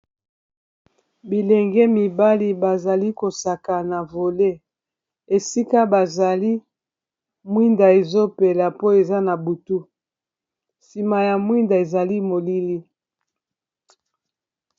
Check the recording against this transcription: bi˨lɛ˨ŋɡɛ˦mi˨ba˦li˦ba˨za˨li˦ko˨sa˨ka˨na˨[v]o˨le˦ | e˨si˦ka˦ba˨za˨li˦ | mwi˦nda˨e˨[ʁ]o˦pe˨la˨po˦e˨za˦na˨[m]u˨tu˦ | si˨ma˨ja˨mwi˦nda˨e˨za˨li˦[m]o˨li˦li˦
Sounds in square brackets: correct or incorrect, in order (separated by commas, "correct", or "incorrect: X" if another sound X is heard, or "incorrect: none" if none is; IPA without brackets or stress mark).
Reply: correct, incorrect: z, incorrect: b, correct